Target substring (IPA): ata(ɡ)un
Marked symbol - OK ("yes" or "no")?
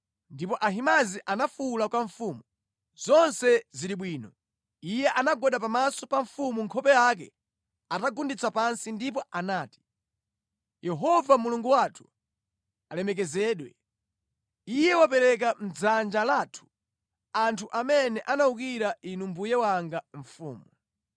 yes